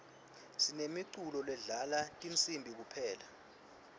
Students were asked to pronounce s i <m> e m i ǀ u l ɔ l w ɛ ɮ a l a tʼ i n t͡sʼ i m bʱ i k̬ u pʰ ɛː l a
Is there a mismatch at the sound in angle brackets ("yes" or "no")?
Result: yes